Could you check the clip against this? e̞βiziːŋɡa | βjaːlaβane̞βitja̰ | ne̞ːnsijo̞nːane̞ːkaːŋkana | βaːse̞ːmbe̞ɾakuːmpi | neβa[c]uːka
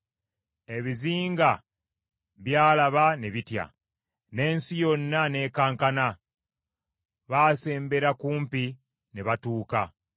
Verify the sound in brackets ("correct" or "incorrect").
incorrect